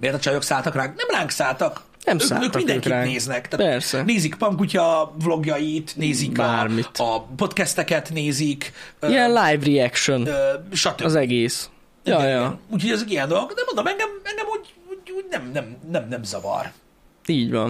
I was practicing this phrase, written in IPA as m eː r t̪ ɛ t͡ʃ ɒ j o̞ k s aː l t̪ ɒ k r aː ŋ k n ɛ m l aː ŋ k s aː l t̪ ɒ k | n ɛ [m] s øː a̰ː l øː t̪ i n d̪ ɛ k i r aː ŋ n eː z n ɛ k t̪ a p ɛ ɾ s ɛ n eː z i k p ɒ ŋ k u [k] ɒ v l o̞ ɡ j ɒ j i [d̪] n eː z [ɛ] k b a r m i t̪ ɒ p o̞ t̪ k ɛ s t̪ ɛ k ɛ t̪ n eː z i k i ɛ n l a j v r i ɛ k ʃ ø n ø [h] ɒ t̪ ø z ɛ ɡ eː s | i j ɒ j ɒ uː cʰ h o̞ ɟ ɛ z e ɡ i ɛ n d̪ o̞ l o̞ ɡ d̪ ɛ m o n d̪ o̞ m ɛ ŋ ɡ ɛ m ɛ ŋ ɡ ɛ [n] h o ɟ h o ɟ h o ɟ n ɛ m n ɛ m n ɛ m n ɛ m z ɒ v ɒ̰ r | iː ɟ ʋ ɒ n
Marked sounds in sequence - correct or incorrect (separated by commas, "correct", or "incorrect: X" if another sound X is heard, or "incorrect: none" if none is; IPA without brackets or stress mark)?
correct, incorrect: c, incorrect: t̪, incorrect: i, incorrect: ʃ, incorrect: m